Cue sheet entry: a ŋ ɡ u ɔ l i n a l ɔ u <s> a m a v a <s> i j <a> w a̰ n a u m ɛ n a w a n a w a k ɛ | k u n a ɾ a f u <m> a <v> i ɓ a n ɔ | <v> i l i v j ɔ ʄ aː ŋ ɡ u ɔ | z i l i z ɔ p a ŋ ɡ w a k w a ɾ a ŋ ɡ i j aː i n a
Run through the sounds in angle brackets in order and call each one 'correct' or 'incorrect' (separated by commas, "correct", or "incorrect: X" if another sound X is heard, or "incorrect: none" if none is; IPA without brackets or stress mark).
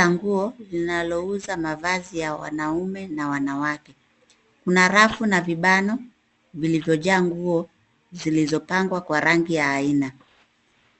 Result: incorrect: z, incorrect: z, correct, incorrect: n, correct, correct